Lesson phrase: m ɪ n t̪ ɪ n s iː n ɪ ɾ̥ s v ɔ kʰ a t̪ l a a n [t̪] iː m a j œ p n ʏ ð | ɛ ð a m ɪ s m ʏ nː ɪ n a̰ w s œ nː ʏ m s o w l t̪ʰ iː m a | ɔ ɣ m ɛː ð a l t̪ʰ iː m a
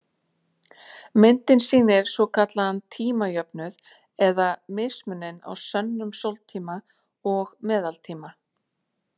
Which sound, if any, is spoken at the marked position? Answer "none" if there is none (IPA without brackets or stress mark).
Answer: t̪ʰ